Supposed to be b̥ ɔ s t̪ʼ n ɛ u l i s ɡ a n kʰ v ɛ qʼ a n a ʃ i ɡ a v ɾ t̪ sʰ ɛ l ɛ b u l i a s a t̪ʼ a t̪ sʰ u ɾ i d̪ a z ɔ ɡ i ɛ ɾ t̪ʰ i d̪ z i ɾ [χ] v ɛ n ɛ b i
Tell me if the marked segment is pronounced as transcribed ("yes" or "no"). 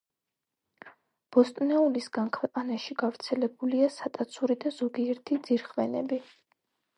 yes